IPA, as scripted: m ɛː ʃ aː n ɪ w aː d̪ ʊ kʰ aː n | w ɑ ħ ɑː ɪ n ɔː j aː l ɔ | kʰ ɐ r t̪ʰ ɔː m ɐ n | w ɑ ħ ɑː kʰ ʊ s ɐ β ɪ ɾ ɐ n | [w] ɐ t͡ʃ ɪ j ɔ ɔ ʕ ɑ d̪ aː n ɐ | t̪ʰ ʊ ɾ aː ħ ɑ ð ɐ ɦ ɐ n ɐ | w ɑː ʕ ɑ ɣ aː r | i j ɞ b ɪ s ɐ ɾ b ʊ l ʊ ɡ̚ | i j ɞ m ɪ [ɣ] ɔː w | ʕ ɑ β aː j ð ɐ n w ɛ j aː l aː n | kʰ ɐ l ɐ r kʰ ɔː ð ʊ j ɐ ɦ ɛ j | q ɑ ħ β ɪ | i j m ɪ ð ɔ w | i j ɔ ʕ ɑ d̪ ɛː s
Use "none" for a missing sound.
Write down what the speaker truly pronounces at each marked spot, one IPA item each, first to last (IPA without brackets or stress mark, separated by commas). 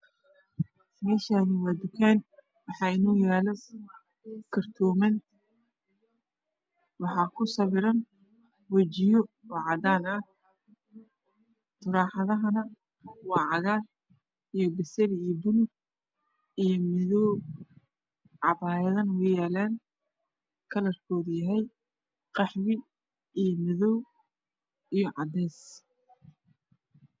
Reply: w, ð